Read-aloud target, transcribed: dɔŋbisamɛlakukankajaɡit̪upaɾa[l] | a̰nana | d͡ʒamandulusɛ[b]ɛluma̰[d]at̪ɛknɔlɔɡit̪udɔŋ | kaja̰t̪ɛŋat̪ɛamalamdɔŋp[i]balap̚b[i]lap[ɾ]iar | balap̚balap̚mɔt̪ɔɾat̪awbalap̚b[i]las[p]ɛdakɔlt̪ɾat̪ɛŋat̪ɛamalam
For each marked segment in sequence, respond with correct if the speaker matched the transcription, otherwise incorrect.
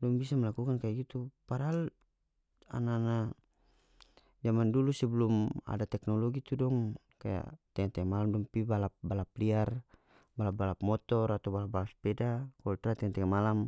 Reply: correct, correct, correct, correct, incorrect, incorrect, incorrect, correct

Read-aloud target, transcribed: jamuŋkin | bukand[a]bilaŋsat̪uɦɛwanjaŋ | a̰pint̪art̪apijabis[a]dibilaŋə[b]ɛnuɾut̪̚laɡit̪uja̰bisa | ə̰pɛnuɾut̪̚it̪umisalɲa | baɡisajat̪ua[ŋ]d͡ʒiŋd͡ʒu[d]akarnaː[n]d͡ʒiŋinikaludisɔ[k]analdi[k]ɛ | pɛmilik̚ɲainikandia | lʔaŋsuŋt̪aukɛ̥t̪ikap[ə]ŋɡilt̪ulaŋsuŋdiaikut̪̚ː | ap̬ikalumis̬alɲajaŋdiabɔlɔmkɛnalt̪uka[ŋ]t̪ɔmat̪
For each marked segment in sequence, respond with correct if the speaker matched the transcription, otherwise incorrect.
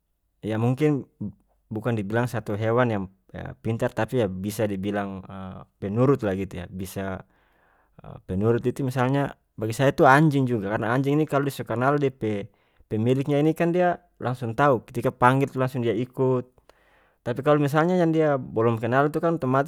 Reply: incorrect, correct, incorrect, incorrect, incorrect, incorrect, correct, incorrect, incorrect, incorrect

